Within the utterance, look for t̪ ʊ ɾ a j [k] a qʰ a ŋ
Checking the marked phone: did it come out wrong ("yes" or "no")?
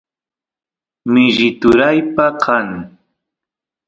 yes